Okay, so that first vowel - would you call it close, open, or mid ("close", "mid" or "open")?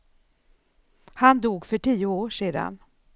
open